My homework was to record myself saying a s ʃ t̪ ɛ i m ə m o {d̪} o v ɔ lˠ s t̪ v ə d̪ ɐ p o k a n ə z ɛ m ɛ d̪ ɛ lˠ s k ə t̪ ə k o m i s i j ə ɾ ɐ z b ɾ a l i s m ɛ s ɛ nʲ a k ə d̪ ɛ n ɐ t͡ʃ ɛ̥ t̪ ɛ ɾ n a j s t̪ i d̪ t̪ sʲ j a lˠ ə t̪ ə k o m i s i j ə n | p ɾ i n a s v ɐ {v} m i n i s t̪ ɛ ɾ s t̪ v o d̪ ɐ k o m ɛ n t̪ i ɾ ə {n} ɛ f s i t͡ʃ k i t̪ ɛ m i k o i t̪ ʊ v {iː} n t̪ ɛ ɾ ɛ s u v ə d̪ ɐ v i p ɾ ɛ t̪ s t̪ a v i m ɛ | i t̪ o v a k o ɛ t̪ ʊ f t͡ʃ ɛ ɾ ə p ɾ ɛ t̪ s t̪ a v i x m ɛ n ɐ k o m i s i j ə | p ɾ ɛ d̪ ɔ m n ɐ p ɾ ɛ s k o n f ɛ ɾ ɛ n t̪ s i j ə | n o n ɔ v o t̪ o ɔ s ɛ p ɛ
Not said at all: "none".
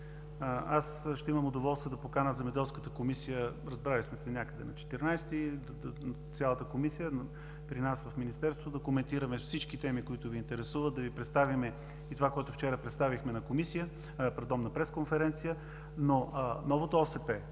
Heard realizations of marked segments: d̪, f, m, iː

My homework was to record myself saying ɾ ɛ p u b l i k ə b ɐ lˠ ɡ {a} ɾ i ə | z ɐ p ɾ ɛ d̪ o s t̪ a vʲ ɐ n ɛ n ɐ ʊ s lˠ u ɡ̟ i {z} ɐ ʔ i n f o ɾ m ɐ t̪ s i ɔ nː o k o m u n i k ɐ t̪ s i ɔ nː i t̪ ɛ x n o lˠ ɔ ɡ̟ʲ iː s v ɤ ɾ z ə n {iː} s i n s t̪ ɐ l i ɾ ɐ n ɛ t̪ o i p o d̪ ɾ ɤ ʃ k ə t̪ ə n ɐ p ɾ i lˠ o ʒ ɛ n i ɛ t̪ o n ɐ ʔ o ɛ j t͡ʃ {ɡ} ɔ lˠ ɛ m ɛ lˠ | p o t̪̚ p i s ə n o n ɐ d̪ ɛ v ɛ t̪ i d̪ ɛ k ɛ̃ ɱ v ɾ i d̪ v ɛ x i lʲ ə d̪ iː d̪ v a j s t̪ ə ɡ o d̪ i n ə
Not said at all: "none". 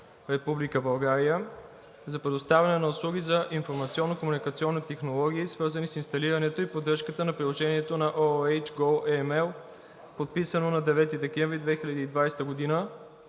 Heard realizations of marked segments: a, z, i, ɡ

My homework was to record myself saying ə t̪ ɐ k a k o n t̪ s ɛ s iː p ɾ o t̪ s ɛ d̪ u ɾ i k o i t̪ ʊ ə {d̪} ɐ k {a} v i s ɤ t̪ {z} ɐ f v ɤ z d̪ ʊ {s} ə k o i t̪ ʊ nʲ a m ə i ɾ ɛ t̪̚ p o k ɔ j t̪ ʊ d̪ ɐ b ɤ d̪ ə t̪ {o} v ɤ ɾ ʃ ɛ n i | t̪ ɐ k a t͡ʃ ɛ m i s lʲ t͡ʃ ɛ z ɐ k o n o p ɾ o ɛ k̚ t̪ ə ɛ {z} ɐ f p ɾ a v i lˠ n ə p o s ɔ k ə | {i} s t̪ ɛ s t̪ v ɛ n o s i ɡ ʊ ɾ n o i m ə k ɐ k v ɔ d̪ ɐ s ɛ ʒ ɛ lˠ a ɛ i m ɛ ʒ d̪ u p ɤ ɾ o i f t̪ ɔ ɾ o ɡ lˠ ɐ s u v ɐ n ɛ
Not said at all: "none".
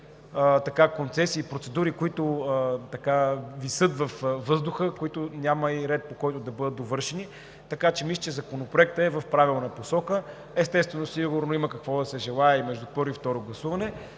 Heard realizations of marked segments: t̪, a, v, x, o, v, ɛ

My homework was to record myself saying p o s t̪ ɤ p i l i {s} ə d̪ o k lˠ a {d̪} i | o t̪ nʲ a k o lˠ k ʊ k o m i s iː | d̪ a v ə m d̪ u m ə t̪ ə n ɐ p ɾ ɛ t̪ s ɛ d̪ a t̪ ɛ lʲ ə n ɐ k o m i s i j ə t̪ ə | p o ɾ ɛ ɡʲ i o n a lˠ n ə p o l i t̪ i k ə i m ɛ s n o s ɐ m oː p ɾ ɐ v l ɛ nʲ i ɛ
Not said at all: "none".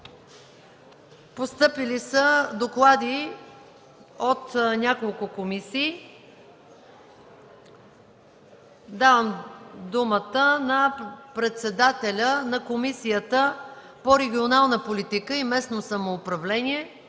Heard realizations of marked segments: s, d̪

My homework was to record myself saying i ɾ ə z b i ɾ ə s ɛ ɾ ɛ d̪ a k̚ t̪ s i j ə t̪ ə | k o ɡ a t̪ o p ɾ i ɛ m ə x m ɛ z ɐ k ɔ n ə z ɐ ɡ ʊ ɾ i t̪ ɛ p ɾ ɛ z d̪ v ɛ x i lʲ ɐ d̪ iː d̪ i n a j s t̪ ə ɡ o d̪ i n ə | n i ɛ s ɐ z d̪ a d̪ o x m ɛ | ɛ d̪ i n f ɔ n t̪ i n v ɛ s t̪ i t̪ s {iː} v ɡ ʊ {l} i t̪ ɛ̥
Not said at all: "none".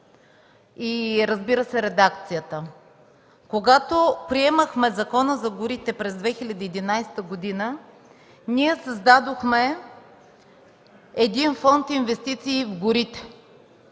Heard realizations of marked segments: iː, ɾ

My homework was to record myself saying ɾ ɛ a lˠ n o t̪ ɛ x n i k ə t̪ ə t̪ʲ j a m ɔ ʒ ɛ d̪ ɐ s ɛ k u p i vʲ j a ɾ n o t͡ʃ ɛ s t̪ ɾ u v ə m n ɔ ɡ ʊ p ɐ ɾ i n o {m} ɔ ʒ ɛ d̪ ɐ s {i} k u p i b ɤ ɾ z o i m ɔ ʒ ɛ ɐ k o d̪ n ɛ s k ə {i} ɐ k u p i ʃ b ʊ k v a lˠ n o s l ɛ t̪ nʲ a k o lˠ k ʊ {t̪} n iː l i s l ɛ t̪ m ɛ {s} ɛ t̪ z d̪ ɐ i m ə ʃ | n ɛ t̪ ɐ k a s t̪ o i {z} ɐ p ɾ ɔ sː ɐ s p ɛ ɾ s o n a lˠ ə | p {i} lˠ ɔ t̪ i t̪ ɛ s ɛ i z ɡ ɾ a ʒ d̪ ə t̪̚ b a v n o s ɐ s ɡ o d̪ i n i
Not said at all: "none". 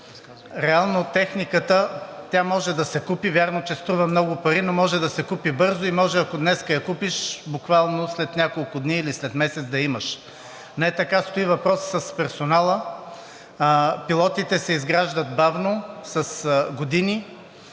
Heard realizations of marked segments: m, ɛ, j, d̪, s, v, i

